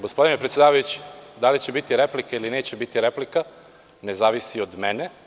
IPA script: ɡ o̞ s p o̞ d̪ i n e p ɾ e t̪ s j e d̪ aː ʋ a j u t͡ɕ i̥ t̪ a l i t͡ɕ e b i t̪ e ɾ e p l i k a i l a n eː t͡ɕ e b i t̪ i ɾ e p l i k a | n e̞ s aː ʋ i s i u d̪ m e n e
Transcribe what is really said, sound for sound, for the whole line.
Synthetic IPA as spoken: ɡ o̞ s p o̞ d̪ i n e p ɾ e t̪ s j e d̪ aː ʋ a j u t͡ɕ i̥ d̪ a l i t͡ɕ e b i t̪ i ɾ e p l i k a i l i n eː t͡ɕ e b i t̪ i ɾ e p l i k a | n e̞ z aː ʋ i s i o d̪ m e n e